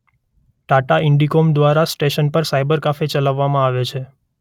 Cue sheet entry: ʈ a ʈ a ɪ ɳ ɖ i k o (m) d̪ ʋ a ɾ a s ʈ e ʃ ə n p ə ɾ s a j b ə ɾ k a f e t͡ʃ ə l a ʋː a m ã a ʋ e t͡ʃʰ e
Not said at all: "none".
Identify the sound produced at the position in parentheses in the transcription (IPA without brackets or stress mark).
m